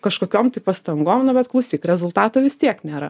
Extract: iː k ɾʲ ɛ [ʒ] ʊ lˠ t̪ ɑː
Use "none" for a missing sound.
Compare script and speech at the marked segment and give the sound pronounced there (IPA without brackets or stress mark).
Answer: z